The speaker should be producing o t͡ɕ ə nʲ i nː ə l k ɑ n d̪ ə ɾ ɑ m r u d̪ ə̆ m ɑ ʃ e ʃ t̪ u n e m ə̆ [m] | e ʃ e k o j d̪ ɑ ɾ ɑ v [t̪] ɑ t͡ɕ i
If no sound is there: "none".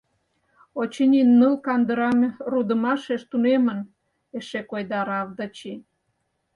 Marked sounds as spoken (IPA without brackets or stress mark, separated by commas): n, d̪